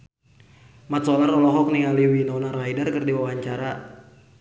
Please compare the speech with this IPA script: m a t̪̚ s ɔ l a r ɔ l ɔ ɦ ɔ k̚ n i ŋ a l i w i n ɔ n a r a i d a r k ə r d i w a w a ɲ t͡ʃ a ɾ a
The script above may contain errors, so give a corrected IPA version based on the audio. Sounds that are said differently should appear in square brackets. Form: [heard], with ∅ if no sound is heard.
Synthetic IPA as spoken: m a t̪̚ s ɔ l a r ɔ l ɔ ɦ ɔ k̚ n i ŋ a l i w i n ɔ n a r a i d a r k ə r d i w a w a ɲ t͡ʃ a ɾ a